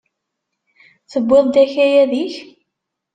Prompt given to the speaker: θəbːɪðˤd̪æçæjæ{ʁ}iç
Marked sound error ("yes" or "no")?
yes